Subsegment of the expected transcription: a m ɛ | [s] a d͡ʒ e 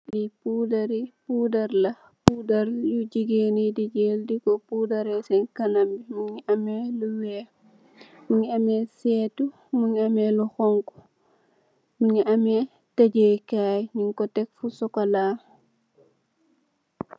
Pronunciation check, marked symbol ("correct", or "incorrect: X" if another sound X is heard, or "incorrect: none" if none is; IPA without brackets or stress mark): incorrect: t